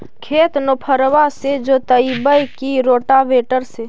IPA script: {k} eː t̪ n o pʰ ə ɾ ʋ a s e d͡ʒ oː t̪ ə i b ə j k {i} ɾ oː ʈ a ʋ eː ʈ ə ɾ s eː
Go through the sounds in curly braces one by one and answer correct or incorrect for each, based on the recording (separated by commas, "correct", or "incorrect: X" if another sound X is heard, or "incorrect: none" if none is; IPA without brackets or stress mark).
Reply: incorrect: kʰ, correct